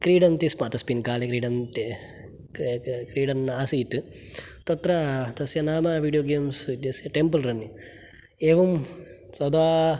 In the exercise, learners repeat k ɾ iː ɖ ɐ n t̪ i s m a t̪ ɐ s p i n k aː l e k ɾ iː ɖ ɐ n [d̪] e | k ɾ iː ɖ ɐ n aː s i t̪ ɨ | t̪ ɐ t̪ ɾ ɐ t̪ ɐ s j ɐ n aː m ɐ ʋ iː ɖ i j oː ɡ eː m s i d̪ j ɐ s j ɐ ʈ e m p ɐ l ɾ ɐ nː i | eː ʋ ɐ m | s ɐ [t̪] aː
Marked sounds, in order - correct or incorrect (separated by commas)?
incorrect, incorrect